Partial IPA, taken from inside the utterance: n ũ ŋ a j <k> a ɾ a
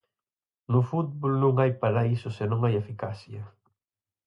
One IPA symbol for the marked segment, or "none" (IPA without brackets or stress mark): p